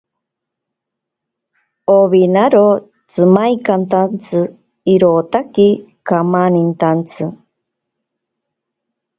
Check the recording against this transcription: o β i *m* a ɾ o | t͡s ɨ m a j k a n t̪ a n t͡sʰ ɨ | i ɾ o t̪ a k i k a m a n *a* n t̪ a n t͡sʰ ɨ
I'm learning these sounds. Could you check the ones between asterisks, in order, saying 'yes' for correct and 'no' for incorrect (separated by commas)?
no, no